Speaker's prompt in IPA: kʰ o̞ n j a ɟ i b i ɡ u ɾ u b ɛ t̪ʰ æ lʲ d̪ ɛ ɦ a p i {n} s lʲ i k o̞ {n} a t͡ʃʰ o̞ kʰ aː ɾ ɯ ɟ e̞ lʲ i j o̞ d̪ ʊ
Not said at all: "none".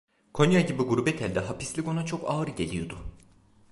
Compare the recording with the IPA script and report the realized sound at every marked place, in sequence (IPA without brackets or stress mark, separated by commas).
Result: none, n